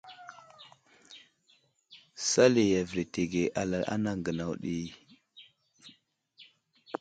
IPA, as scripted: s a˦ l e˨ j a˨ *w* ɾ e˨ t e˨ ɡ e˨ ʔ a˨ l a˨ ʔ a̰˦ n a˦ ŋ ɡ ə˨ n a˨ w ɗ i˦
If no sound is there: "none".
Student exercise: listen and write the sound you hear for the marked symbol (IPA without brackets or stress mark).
v